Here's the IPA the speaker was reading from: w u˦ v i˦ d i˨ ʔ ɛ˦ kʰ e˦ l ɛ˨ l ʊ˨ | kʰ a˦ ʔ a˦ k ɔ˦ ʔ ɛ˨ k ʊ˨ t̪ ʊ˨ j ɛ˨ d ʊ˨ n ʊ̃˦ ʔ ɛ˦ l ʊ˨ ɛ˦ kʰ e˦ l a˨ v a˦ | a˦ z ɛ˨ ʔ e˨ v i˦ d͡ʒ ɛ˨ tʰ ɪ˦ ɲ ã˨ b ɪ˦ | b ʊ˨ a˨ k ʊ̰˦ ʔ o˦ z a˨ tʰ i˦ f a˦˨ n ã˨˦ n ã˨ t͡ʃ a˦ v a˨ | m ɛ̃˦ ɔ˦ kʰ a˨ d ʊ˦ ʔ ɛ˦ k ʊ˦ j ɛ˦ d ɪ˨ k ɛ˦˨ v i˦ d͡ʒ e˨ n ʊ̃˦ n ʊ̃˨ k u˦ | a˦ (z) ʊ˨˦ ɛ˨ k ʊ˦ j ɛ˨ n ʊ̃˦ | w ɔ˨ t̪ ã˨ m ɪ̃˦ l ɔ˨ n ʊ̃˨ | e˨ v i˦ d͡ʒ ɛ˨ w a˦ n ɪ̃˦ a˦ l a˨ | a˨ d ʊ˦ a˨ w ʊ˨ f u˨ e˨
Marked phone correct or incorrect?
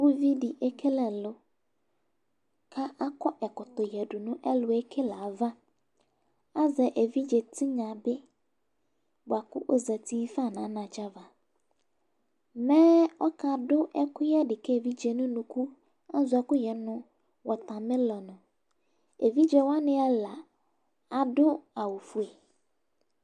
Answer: correct